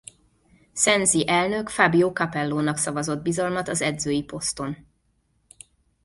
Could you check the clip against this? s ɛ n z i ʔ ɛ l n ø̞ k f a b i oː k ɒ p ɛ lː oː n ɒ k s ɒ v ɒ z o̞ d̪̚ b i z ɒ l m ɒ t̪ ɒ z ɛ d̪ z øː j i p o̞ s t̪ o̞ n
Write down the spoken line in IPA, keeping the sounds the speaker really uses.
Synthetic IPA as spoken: s ɛ n z i ʔ ɛ l n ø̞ k f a b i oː k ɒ p ɛ lː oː n ɒ k s ɒ v ɒ z o̞ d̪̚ b i z ɒ l m ɒ t̪ ɒ z ɛ d̪ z øː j i p o̞ s t̪ o̞ n